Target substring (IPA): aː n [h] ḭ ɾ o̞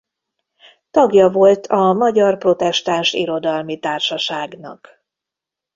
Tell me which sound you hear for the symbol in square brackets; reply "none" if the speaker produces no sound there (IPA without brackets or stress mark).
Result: ʃ